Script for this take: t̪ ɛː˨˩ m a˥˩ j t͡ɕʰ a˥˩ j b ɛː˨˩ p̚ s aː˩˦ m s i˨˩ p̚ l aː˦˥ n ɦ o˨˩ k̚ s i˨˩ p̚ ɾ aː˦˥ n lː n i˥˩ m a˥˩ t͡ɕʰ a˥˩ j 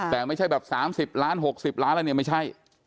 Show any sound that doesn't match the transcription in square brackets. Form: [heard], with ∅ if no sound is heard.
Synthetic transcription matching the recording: t̪ ɛː˨˩ m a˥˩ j t͡ɕʰ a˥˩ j b ɛː˨˩ p̚ s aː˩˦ m s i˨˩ p̚ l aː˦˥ n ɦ o˨˩ k̚ s i˨˩ p̚ [l] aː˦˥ n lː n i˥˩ m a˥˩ t͡ɕʰ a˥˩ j

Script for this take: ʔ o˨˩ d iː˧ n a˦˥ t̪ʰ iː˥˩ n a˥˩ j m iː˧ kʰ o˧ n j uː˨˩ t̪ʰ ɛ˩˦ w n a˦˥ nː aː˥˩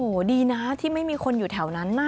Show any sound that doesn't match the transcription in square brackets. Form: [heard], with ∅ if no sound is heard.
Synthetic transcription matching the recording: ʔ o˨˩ d iː˧ n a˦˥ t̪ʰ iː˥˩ [m] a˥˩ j m iː˧ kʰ o˧ n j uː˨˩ t̪ʰ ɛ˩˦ w n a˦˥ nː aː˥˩

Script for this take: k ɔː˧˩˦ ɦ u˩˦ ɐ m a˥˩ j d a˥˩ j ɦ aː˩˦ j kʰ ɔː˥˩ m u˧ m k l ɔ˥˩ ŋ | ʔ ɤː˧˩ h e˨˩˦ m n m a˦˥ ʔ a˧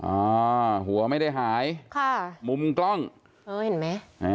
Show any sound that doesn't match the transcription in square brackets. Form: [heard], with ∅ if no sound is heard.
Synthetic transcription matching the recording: [ʔ] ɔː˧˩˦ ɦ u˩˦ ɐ m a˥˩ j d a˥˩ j ɦ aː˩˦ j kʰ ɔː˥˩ m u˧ m k l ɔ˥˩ ŋ | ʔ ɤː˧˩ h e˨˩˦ [∅] n m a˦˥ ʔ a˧

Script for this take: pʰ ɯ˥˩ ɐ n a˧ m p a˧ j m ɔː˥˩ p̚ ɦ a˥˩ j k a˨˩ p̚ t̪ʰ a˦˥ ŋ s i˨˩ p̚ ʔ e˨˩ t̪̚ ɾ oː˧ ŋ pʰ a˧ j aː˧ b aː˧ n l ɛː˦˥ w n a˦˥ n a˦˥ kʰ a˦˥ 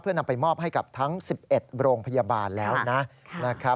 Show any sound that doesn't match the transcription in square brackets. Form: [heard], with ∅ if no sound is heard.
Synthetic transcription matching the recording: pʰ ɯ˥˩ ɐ n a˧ m p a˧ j m ɔː˥˩ p̚ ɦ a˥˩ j k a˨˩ p̚ t̪ʰ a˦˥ ŋ s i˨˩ p̚ ʔ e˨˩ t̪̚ ɾ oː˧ ŋ pʰ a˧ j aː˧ b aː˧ n l ɛː˦˥ w n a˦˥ n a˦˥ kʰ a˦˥

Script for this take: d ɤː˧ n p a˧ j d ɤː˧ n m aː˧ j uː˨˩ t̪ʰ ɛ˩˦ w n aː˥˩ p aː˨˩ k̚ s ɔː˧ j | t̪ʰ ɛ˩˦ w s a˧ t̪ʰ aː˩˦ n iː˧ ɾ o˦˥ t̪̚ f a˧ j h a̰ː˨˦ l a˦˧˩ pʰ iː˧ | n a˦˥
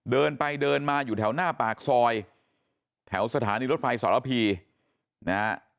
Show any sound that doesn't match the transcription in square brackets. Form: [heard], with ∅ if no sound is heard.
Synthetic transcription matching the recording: d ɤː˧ n p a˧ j d ɤː˧ n m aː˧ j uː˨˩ t̪ʰ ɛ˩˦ w n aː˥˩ p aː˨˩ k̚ s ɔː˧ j | t̪ʰ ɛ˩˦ w s a˧ t̪ʰ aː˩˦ n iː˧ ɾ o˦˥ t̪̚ f a˧ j [s] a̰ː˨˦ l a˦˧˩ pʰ iː˧ | n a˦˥

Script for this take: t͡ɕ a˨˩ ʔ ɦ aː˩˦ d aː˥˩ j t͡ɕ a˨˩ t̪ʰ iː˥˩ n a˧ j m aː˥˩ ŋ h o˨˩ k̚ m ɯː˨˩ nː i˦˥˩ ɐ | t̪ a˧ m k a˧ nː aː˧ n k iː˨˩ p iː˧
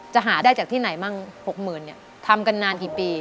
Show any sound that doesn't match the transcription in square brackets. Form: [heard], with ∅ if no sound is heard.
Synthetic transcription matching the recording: t͡ɕ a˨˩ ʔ ɦ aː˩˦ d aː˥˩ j t͡ɕ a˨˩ t̪ʰ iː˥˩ n [a˩˦] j m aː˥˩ ŋ h o˨˩ k̚ m ɯː˨˩ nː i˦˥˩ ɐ | [t̪ʰ] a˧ m k a˧ nː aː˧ n k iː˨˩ p iː˧

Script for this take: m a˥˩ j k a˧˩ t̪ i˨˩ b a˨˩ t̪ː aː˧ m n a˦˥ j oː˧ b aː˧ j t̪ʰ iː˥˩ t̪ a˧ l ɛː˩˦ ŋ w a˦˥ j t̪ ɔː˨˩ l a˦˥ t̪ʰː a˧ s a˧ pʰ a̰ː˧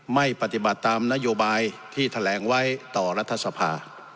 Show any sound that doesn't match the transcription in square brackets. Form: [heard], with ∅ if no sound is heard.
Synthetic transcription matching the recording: m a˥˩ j [p] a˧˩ t̪ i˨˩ b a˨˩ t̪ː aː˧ m n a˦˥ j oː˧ b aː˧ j t̪ʰ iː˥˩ [t̪ʰ] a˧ l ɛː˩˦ ŋ w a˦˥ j t̪ ɔː˨˩ [ɾ] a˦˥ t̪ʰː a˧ s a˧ pʰ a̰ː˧

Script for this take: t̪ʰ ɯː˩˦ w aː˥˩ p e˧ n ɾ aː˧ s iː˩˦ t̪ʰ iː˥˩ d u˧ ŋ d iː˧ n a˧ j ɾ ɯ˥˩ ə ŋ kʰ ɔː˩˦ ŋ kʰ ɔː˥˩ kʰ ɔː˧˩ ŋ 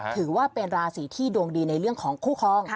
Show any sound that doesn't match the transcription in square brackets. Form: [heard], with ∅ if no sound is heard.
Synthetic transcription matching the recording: t̪ʰ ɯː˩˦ w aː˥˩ p e˧ n ɾ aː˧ s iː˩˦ t̪ʰ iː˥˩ d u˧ ŋ d iː˧ n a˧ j ɾ ɯ˥˩ ə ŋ kʰ ɔː˩˦ ŋ kʰ [uː˥˩] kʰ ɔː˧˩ ŋ

